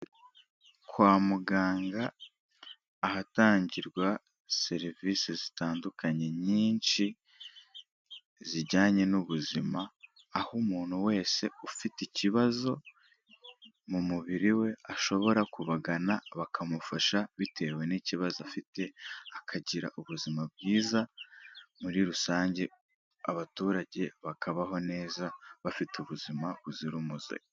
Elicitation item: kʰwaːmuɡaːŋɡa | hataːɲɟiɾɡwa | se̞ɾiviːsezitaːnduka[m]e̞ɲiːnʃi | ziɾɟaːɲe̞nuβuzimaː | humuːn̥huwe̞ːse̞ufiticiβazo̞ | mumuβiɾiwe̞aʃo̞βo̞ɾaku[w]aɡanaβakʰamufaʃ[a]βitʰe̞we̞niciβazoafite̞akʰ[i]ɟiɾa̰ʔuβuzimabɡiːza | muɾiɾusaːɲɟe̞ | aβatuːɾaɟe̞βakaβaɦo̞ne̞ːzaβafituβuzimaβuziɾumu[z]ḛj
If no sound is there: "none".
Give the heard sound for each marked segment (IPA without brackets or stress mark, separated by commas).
ɲ, β, a, a, z